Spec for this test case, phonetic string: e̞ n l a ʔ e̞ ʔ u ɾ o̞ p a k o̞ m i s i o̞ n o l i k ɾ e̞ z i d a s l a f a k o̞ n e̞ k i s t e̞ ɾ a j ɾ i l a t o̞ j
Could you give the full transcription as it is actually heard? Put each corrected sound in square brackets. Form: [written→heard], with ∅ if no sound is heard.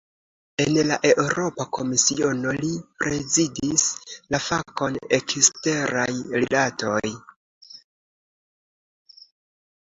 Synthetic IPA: e̞ n l a ʔ e̞ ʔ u ɾ o̞ p a k o̞ m i s i o̞ n o l i [k→p] ɾ e̞ z i d [a→i] s l a f a k o̞ n e̞ k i s t e̞ ɾ a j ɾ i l a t o̞ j